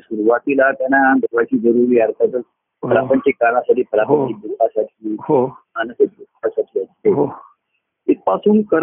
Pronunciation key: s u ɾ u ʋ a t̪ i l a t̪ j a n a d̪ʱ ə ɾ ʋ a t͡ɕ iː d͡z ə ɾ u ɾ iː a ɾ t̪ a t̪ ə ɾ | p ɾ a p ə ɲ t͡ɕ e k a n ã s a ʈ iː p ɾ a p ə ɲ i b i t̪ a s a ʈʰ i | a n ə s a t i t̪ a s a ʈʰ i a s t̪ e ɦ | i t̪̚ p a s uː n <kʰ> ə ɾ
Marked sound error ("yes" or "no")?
yes